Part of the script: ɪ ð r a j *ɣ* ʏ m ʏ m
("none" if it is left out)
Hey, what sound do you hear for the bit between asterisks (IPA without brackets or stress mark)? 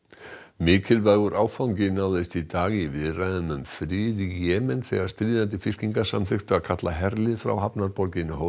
ð